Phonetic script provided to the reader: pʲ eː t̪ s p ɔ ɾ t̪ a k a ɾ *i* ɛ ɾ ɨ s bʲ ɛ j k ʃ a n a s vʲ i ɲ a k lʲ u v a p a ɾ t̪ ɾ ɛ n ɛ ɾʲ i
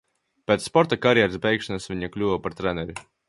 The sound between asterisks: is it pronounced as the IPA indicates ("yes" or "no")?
no